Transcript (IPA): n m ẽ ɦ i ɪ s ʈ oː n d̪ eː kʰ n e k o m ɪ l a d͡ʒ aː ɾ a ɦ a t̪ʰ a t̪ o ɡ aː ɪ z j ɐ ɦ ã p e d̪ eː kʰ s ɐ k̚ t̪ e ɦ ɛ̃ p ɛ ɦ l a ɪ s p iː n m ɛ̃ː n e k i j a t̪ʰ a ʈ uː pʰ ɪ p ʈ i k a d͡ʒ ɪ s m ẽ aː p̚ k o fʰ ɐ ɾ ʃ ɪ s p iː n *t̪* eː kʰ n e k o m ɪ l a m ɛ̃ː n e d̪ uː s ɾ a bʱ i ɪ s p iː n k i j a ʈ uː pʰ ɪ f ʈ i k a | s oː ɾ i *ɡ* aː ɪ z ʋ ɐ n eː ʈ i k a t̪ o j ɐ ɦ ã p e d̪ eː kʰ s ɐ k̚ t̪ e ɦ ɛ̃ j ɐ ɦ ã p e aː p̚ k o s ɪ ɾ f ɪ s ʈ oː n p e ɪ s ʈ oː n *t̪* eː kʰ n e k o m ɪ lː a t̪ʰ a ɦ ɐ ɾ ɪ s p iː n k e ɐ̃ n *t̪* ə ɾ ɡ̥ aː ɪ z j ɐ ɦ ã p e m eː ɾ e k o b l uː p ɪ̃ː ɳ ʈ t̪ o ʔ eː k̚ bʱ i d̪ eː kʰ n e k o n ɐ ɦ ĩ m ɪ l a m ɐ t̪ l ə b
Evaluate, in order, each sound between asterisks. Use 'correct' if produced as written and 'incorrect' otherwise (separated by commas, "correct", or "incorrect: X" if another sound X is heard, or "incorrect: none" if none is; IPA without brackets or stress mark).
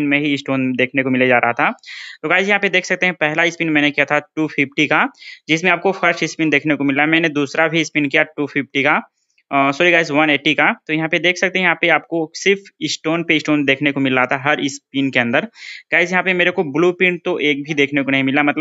incorrect: d̪, correct, incorrect: d̪, incorrect: d̪